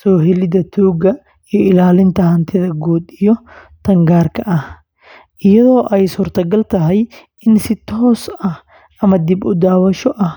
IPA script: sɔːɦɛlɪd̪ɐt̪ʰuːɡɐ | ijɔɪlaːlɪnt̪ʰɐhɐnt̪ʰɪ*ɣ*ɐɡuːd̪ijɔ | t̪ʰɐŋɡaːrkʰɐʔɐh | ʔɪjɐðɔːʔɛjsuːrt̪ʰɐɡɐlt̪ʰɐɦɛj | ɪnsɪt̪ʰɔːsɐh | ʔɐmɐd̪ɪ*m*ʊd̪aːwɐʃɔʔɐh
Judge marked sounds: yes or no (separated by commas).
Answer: no, no